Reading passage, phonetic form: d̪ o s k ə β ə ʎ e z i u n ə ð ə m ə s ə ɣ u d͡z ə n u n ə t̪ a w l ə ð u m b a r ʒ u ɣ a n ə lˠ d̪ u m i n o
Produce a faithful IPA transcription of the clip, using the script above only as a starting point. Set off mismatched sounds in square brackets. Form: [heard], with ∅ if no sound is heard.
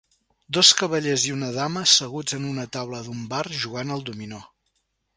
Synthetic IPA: d̪ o s k ə β ə ʎ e z i u n ə ð [a] m ə s ə ɣ u d͡z ə n u n ə t̪ a w l ə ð u m b a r ʒ u ɣ a n ə lˠ d̪ u m i n o

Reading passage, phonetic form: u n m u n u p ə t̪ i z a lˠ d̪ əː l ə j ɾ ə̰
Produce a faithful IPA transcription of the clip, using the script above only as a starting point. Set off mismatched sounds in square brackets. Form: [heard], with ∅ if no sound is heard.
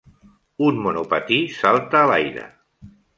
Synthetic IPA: u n m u n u p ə t̪ i [s] a lˠ [t̪] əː l [a] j ɾ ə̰

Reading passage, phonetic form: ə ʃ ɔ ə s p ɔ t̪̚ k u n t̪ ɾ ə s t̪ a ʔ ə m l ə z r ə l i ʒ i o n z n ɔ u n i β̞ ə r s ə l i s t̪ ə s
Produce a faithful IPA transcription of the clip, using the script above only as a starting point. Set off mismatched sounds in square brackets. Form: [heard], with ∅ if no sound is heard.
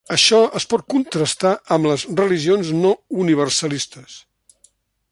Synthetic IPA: ə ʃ ɔ ə s p ɔ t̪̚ k u n t̪ ɾ ə s t̪ a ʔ ə m l ə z r ə l i ʒ i o n z n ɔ u n i β̞ ə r s ə l i s t̪ ə s

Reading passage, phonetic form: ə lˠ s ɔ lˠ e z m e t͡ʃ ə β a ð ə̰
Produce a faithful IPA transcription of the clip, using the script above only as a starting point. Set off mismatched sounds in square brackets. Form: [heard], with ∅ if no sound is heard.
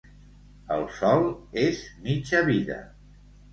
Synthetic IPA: ə lˠ s ɔ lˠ e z m [i] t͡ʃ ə β [i] ð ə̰

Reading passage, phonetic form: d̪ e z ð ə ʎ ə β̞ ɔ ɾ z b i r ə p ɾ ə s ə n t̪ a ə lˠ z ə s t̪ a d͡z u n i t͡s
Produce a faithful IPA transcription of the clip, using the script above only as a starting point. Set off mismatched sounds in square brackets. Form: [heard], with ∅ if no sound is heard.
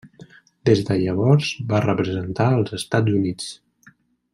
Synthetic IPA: d̪ e z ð ə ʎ ə β̞ ɔ ɾ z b [a] r ə p ɾ ə [z] ə n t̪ a ə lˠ z ə s t̪ a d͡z u n i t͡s

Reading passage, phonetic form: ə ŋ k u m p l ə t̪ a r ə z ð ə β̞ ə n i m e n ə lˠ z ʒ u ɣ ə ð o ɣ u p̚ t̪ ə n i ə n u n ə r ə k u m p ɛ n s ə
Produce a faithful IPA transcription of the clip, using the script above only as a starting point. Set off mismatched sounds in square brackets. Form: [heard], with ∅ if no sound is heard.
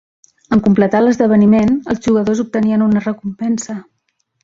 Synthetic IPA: ə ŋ k u m p l ə t̪ a [l] ə z ð ə β̞ ə n i m e n ə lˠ z ʒ u ɣ ə ð o [z] u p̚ t̪ ə n i ə n u n ə r ə k u m p ɛ n s ə

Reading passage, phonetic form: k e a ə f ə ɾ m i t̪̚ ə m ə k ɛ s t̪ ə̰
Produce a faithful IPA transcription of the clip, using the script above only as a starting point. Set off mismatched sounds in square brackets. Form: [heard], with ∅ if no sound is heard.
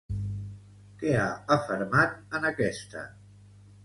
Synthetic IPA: k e a ə f ə ɾ m [a] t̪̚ ə [n] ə k ɛ s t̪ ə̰

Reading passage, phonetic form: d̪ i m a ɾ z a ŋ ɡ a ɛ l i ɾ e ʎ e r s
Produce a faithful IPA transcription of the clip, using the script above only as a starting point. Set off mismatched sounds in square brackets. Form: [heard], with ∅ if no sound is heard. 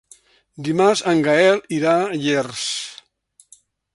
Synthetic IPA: d̪ i m a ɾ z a ŋ ɡ a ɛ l i ɾ [a] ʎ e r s

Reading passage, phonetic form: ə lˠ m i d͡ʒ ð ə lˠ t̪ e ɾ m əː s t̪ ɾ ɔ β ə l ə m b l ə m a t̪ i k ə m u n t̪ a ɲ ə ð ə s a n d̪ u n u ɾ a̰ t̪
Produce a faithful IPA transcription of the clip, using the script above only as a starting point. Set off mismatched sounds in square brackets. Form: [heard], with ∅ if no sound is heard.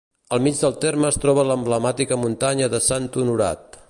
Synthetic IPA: ə lˠ m i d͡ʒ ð ə lˠ t̪ e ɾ m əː s t̪ ɾ ɔ β ə l ə m b l ə m a t̪ i k ə m u n t̪ a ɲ ə ð ə s a n [t̪] u n u ɾ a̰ t̪

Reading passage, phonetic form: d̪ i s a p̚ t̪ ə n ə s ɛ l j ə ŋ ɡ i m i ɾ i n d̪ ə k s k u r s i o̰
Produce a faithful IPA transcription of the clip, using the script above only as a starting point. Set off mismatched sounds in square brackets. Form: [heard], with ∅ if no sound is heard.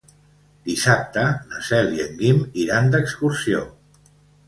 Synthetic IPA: d̪ i s a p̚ t̪ ə n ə s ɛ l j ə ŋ ɡ i m i ɾ [a] n d̪ ə k s k u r s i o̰

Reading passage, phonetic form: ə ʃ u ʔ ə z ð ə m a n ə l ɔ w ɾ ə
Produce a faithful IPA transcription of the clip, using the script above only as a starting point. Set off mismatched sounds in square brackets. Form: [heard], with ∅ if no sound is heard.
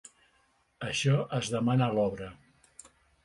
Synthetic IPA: ə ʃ [ɔ] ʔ ə z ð ə m a n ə l ɔ [β] ɾ ə

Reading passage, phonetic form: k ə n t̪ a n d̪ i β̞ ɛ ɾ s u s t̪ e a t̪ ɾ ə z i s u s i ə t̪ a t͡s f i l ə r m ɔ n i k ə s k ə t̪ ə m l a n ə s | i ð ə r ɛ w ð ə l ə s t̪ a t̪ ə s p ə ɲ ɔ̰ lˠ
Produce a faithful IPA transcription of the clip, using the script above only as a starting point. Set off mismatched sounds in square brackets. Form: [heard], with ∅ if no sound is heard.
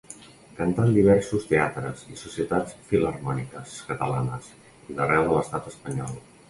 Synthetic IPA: k ə n t̪ a n d̪ i β̞ ɛ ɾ s u s t̪ e a t̪ ɾ ə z i s u s i ə t̪ a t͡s f i l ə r m ɔ n i k ə s k ə t̪ ə [∅] l a n ə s | i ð ə r ɛ w ð ə l ə s t̪ a t̪ ə s p ə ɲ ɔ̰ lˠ

